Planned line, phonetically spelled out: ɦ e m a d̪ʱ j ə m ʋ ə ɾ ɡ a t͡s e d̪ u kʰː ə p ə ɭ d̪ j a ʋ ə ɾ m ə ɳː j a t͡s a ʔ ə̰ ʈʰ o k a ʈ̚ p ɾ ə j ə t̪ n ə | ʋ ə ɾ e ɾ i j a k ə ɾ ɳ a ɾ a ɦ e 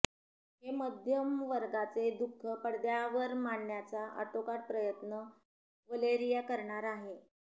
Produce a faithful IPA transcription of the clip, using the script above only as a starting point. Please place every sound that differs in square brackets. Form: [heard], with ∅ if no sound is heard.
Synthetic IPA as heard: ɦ e m [ə] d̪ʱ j ə m ʋ ə ɾ ɡ a t͡s e d̪ u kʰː ə p ə [ɽ] d̪ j a ʋ ə ɾ m [a] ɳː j a t͡s a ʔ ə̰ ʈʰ o k a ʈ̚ p ɾ ə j ə t̪ n ə | ʋ ə [l] e ɾ i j a k ə ɾ ɳ a ɾ a ɦ e